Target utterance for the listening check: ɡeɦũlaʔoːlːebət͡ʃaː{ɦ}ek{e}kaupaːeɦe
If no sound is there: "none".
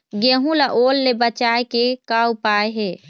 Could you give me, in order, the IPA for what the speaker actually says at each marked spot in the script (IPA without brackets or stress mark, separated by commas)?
none, e